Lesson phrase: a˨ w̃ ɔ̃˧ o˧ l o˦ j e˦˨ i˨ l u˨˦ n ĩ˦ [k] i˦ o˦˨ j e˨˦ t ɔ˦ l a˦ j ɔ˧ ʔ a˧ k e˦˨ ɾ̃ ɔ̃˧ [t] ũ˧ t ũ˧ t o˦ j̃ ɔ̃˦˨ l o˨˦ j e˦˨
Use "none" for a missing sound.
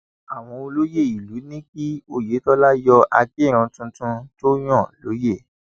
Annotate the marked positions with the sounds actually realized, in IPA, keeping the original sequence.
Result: k, t

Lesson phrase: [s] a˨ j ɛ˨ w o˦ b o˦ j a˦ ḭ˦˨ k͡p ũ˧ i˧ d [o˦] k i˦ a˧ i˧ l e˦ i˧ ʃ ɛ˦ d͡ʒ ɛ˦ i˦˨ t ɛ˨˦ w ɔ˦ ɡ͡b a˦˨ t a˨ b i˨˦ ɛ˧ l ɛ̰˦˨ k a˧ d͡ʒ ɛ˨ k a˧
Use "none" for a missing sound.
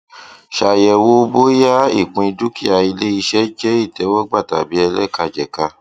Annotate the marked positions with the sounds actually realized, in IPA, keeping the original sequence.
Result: ʃ, u˦

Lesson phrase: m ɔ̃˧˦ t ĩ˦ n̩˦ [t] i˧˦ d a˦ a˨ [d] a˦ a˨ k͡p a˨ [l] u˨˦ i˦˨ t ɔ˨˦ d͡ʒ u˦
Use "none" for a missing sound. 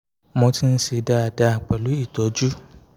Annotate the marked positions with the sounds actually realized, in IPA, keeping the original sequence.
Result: s, d, l

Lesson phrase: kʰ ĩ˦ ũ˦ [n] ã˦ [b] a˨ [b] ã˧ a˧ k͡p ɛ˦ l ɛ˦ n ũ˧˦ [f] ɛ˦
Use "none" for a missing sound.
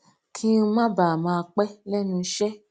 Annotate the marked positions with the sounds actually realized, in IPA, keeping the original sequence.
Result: m, b, m, ʃ

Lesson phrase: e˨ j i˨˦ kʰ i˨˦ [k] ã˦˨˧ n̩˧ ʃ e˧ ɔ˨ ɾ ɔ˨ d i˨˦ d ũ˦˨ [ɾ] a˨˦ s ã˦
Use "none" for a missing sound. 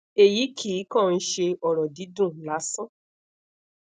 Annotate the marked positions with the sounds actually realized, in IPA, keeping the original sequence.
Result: k, l

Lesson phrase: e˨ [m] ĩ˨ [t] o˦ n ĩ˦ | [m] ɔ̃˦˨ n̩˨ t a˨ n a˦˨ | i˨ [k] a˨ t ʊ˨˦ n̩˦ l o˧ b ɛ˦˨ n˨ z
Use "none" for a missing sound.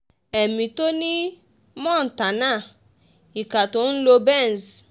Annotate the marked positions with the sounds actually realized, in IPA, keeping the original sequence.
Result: m, t, m, k

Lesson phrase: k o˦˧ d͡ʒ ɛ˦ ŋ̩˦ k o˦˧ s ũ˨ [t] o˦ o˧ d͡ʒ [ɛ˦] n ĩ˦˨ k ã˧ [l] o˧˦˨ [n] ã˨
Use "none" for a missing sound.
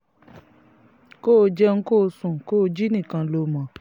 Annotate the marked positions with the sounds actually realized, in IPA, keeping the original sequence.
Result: k, i˦, l, m

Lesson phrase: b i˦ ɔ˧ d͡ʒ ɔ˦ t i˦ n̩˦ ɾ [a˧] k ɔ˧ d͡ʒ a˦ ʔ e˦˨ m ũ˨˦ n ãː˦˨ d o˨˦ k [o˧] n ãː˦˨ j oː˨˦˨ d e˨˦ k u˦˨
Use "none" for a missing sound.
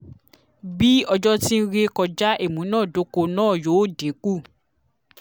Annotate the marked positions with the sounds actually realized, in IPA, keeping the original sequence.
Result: e˧, o˧

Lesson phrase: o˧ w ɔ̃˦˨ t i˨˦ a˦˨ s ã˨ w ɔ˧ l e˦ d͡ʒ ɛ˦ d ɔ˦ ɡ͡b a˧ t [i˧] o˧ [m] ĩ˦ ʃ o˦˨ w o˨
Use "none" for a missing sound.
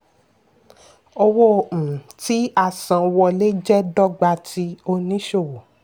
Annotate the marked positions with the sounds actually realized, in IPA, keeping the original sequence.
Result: i˧, n

